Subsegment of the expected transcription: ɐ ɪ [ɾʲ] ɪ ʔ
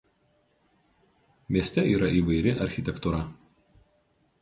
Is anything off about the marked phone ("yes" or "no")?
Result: no